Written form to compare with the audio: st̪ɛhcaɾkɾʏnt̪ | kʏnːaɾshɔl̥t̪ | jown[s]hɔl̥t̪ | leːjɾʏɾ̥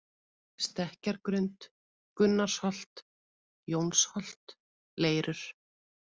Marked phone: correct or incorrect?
correct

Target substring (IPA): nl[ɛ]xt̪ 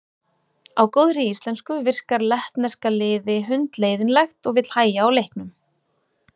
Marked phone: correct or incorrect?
correct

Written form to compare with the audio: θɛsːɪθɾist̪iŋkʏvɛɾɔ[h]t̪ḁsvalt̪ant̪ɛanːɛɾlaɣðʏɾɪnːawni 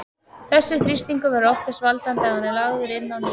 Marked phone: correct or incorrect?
incorrect: f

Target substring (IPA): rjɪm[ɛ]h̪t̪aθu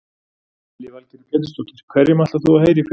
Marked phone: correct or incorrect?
incorrect: a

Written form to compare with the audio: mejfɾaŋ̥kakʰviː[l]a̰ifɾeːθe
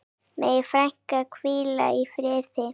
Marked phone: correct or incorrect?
correct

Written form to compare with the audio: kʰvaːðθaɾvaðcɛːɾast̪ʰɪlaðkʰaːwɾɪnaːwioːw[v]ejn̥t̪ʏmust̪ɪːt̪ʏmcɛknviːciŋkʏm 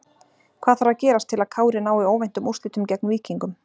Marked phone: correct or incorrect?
correct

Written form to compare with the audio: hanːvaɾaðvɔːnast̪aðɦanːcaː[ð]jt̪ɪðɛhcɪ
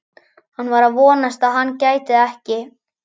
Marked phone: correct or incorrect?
incorrect: none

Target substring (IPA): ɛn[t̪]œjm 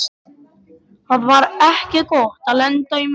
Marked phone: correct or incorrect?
correct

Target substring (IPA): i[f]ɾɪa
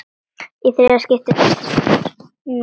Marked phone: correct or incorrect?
incorrect: θ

